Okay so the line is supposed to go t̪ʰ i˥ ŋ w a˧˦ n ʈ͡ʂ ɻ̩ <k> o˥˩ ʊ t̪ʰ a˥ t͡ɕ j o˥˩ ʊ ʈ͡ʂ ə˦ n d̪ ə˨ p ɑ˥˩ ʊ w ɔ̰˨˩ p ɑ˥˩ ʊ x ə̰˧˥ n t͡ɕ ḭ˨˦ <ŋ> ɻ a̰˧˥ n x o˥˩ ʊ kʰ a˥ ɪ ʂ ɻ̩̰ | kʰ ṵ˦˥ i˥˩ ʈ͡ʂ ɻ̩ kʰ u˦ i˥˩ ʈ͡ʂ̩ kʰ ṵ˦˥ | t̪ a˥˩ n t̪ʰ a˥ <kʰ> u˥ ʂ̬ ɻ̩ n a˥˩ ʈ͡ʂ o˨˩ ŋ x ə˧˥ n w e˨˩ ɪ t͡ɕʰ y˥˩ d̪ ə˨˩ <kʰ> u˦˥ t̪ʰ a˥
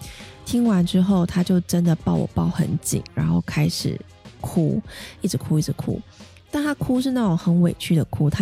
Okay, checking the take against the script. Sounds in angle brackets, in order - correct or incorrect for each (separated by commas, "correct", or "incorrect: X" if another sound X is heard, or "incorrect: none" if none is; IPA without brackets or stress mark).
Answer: incorrect: x, correct, correct, correct